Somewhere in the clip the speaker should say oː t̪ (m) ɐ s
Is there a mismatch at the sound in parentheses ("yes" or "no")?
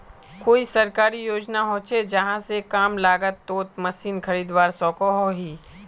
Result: no